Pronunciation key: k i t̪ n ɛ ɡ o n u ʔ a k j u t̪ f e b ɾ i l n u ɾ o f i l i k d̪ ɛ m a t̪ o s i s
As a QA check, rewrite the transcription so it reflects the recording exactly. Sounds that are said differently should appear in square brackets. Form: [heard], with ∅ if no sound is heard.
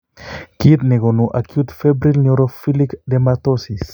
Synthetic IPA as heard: k i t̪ n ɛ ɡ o n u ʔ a k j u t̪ f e b ɾ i l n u ɾ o f i l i k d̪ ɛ m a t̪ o s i s